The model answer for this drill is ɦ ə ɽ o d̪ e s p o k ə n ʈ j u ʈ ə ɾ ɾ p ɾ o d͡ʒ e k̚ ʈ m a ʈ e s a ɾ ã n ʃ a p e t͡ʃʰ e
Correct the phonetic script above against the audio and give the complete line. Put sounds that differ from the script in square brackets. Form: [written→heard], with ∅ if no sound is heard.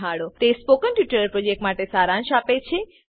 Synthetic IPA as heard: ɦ [ə→a] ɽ o [d̪→t̪] e s p o k ə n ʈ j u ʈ ə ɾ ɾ p ɾ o d͡ʒ e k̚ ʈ m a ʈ e s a ɾ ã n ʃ a p e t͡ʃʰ e